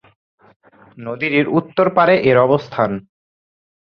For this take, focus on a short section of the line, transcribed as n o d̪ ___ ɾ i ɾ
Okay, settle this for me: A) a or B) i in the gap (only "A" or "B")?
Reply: B